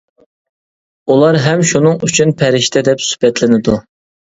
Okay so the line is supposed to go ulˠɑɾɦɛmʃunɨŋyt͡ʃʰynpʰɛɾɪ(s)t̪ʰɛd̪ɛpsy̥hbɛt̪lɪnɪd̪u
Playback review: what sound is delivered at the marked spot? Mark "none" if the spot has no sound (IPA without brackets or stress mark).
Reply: ʃ